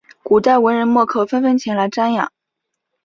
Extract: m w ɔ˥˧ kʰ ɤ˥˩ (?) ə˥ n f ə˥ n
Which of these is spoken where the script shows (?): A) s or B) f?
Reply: B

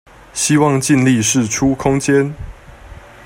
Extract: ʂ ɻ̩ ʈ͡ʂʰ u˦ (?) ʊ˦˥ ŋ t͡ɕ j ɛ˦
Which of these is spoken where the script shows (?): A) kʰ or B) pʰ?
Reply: A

